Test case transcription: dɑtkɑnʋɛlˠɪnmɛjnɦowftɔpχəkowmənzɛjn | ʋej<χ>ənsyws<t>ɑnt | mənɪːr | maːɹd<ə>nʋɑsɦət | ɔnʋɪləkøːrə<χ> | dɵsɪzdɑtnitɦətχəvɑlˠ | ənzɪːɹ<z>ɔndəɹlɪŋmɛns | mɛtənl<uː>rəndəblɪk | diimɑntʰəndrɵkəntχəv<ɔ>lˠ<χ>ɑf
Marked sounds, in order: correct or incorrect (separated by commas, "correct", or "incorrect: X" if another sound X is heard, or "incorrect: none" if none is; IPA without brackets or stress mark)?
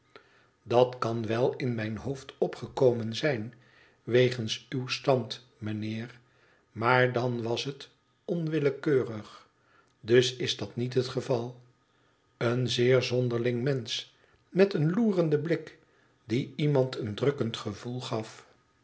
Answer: correct, correct, incorrect: ɑ, correct, correct, correct, incorrect: u, correct